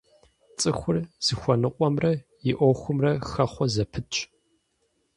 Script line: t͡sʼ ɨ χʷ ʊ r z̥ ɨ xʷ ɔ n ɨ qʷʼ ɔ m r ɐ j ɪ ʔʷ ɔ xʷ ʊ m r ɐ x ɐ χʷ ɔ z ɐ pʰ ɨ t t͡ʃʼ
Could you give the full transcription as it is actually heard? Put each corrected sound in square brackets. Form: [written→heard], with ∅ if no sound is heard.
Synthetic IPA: t͡sʼ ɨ [χʷ→xʷ] ʊ r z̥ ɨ xʷ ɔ n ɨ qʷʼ ɔ m r ɐ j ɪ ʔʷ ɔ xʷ ʊ m r ɐ x ɐ χʷ ɔ z ɐ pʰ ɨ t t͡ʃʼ